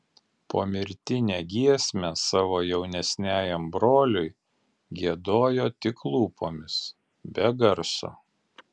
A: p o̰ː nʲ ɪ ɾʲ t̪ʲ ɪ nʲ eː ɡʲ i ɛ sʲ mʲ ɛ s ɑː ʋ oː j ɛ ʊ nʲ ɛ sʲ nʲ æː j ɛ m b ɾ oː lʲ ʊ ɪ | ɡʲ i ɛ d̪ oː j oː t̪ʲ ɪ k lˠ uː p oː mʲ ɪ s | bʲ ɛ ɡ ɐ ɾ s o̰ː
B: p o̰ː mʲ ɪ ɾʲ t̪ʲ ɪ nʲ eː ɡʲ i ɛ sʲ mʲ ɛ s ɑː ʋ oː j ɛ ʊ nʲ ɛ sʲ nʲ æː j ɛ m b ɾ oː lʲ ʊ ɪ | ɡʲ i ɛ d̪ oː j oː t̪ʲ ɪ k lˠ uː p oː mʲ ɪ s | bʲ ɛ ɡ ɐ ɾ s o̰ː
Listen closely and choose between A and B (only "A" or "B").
B